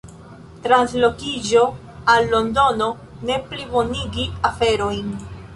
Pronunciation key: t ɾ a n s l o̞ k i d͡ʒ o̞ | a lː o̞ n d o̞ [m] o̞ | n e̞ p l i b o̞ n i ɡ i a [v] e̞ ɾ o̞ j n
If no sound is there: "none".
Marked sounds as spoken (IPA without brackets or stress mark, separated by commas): n, f